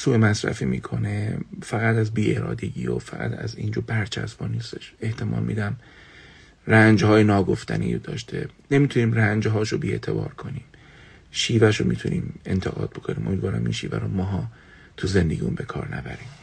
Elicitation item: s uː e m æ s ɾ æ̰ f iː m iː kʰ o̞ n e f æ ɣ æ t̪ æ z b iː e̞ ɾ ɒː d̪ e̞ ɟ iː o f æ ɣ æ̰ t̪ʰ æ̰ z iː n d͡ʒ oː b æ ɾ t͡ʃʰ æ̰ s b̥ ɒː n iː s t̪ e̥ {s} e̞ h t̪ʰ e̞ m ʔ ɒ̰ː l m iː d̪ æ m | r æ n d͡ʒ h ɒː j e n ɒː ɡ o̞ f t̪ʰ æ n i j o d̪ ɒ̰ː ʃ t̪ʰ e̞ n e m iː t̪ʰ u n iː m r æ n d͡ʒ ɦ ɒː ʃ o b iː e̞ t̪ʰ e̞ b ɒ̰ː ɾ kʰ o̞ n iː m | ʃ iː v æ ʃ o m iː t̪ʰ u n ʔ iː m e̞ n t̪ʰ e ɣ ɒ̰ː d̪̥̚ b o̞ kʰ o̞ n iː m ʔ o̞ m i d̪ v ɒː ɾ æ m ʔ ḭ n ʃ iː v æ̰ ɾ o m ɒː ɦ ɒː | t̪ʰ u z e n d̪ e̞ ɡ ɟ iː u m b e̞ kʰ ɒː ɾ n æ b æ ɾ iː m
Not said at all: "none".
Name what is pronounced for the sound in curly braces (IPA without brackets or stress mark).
ʃ